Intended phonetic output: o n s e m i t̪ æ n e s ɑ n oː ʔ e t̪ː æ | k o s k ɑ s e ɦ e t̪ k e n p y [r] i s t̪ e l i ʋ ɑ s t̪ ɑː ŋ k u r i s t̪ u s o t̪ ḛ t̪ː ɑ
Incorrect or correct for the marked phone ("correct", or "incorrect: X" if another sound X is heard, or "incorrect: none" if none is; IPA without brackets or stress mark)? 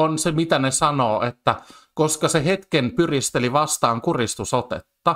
correct